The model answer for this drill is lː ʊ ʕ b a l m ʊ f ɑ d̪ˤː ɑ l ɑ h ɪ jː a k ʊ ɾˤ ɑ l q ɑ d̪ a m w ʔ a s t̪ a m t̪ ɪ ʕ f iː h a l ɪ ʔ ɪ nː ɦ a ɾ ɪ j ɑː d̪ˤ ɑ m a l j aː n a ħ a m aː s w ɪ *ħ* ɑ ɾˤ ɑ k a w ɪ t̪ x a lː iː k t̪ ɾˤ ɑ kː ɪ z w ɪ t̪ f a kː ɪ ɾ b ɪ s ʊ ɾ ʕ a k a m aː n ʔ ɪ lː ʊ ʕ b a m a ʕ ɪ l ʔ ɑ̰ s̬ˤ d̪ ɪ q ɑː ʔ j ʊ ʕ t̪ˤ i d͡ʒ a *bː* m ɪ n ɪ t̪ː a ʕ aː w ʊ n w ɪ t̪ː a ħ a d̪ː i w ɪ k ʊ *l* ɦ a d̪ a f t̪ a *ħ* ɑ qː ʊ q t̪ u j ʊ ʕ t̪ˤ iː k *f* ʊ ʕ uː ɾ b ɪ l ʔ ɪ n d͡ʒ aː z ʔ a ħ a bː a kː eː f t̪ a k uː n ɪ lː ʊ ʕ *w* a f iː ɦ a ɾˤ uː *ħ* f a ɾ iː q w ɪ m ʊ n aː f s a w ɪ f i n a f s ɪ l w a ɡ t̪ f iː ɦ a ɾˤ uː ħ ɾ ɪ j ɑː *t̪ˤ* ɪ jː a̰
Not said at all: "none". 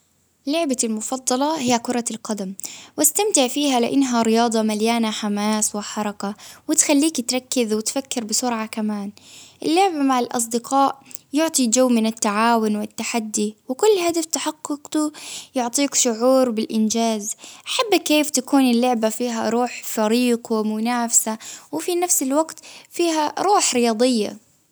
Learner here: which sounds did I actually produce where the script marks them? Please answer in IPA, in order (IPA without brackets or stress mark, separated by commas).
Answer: ħ, wː, lː, ħ, ʃ, b, ħ, d̪ˤ